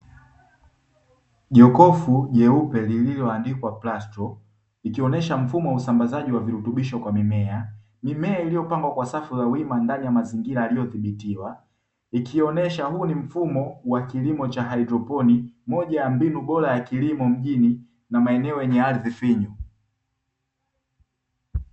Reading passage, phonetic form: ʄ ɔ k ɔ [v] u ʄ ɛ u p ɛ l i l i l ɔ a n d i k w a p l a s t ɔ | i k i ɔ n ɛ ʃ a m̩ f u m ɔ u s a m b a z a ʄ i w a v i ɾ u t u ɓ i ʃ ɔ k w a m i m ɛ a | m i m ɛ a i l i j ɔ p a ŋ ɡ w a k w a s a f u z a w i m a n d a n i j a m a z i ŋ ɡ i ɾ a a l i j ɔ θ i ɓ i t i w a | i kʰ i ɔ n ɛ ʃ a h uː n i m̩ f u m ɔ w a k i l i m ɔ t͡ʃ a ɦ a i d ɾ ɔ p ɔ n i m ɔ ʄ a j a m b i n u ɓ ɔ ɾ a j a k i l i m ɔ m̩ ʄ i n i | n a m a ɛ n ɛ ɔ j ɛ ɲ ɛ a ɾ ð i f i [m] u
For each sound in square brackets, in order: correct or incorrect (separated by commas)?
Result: incorrect, incorrect